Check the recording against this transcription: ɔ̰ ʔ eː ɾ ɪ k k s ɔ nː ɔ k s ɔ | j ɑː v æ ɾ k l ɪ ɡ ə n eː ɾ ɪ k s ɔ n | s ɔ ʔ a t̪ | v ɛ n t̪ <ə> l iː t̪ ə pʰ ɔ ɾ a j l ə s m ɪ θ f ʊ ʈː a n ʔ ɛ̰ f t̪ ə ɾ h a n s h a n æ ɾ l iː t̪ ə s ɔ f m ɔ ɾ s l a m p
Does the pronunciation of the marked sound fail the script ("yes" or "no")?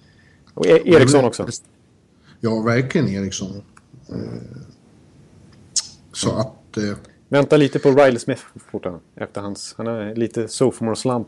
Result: yes